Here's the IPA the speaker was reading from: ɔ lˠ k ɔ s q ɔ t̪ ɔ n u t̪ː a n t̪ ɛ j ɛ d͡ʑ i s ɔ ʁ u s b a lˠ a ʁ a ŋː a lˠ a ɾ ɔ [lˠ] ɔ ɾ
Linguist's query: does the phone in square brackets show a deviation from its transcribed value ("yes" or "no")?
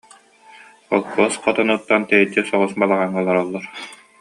yes